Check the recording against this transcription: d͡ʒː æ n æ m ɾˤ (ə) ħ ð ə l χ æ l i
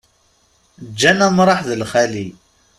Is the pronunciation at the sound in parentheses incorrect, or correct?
incorrect